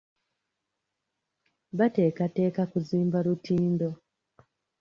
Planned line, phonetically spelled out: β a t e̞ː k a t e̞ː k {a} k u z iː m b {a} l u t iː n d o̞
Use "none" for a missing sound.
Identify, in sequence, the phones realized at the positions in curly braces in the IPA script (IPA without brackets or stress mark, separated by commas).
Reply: a, a